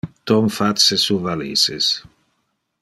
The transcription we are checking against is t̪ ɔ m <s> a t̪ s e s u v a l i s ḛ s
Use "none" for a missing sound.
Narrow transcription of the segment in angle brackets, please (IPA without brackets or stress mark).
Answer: f